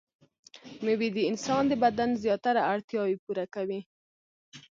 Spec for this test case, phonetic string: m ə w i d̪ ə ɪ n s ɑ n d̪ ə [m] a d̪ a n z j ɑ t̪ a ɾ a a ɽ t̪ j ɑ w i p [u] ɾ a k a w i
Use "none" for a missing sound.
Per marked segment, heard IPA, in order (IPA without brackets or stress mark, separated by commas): b, u